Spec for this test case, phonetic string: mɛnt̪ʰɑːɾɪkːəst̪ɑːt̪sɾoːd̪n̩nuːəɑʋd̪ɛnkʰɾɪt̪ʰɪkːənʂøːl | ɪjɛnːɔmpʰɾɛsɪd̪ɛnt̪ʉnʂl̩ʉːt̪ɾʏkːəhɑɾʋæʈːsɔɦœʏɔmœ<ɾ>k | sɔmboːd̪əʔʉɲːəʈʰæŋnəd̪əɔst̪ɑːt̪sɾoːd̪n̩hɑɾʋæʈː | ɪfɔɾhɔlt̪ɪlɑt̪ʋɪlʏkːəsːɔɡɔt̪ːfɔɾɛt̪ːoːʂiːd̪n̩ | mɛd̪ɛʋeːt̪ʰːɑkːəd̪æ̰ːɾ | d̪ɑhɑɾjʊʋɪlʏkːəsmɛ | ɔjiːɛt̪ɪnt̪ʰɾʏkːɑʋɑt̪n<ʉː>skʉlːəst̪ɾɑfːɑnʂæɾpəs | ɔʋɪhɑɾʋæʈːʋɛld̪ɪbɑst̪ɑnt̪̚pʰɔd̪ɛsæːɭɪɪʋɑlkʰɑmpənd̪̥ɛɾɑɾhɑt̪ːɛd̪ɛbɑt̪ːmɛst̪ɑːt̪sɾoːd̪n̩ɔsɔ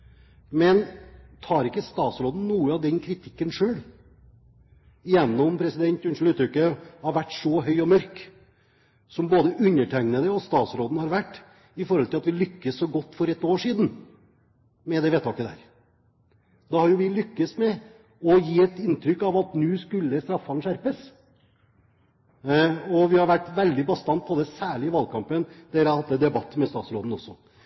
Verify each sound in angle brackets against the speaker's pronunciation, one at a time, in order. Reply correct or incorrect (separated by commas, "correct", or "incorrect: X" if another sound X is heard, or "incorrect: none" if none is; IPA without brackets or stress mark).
correct, correct